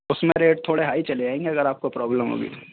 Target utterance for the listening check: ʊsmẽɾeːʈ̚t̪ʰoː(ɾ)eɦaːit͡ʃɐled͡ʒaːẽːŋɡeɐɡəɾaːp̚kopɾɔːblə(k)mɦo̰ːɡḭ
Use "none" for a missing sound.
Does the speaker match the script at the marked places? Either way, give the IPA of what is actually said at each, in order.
ɽ, none

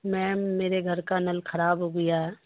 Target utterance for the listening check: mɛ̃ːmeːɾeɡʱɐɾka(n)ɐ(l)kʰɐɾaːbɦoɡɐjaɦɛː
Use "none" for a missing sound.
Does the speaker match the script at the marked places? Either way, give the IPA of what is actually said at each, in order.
n, l

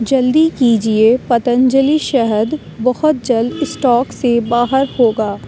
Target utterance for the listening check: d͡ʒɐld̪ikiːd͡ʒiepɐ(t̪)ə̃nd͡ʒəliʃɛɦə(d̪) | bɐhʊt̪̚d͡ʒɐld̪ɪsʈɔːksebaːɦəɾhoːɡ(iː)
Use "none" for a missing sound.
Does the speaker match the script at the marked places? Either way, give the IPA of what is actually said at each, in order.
t̪, d̪, aː

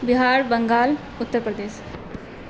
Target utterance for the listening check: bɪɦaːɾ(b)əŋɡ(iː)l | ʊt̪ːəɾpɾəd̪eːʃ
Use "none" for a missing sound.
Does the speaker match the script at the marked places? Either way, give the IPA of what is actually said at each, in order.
b, aː

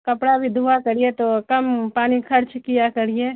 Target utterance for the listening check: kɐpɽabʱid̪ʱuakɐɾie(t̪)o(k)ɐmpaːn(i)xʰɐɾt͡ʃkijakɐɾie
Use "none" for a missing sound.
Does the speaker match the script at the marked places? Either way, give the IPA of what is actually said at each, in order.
t̪, k, i

